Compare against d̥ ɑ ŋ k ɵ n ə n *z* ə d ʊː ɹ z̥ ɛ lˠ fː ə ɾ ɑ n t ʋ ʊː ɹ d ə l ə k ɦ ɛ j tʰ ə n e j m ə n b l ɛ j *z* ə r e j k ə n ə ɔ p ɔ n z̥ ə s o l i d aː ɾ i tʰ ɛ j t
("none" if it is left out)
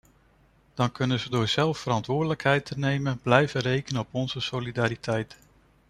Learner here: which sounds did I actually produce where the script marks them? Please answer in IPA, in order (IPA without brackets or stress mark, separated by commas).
z, v